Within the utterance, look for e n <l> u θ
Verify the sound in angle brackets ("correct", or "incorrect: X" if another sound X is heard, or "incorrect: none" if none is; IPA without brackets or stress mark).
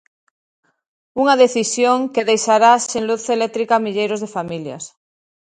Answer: correct